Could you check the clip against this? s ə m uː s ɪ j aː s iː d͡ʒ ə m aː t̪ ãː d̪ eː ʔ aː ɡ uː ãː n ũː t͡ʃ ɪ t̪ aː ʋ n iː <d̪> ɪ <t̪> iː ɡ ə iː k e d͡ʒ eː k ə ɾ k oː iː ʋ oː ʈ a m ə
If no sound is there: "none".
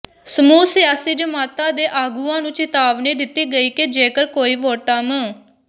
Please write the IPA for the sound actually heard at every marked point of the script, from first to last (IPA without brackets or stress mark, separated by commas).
d̪, t̪